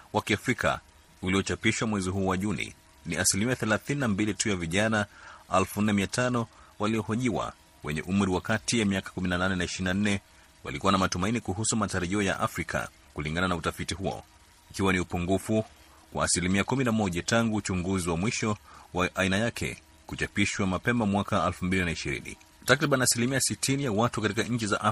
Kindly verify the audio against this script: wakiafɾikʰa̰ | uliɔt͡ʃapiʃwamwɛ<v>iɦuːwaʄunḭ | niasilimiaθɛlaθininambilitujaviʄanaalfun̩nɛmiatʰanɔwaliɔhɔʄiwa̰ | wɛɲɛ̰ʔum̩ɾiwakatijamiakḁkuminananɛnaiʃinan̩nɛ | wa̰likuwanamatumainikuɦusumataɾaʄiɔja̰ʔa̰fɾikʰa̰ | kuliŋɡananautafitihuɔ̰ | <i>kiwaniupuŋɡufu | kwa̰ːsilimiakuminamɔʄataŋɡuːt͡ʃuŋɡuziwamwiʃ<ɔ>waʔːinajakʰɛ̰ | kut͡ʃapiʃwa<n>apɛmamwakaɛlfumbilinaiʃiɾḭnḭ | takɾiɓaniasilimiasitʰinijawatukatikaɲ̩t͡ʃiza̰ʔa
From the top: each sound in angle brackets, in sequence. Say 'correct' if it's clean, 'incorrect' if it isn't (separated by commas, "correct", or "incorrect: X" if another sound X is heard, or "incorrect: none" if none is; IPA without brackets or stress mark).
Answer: incorrect: z, correct, correct, incorrect: m